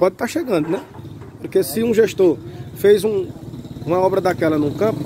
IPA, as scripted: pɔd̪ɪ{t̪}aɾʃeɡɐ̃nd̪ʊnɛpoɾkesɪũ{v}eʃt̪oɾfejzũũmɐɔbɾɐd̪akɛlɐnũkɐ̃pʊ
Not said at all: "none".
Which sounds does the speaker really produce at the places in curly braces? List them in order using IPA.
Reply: t̪, ʒ

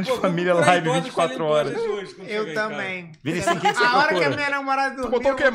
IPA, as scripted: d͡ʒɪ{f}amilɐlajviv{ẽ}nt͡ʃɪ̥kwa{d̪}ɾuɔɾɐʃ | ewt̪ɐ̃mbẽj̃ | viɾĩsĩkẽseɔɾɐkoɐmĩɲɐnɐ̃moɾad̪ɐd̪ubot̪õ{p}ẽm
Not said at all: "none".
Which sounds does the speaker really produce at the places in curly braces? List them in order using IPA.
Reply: f, ĩ, t̪, k

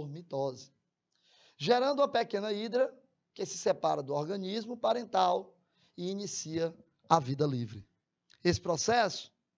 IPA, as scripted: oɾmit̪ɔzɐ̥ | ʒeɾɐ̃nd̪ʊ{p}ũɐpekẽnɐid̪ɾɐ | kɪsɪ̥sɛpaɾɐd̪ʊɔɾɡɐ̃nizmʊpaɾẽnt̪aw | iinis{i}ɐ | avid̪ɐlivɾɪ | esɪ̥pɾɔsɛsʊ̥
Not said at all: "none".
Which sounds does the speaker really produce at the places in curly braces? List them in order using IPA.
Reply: none, i

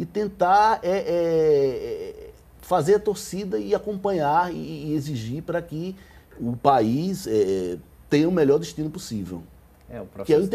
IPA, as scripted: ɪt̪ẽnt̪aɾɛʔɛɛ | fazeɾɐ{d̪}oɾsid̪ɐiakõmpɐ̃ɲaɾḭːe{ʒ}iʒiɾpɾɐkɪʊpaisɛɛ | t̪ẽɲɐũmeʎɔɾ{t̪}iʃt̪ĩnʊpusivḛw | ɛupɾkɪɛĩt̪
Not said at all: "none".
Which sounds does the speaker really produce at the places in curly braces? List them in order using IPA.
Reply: t̪, z, d̪

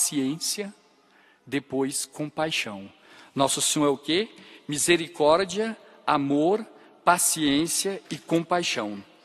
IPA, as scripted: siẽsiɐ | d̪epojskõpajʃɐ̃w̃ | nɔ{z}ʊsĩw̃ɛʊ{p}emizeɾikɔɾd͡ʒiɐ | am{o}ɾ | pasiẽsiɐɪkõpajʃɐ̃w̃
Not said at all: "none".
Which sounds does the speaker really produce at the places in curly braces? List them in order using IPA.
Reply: s, k, o

